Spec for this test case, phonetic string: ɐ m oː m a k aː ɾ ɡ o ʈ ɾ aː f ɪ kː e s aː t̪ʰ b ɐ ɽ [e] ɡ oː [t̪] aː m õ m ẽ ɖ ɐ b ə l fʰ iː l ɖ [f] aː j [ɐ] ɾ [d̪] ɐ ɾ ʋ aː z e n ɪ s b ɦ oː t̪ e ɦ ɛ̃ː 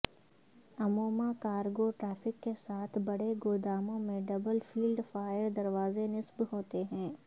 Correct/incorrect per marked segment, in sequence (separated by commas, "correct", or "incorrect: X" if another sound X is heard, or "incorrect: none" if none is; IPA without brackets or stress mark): correct, incorrect: d̪, correct, incorrect: ə, correct